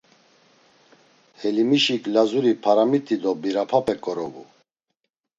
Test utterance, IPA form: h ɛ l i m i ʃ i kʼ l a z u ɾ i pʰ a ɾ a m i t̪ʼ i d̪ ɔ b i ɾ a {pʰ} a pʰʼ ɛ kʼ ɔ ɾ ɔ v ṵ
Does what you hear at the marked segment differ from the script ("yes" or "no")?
no